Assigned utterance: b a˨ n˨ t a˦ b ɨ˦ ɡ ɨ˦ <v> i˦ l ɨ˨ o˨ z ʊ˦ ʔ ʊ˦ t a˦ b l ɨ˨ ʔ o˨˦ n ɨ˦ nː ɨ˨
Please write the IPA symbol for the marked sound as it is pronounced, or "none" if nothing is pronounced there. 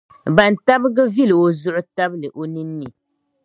v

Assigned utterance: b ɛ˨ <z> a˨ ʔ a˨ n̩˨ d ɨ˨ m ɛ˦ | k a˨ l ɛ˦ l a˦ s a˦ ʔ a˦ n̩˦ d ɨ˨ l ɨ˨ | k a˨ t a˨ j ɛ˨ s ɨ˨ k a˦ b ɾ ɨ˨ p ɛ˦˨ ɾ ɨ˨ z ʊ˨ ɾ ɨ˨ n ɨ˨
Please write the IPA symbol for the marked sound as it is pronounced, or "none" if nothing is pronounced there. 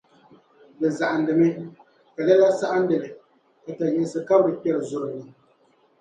z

